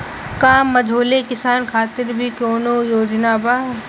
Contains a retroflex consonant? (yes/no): no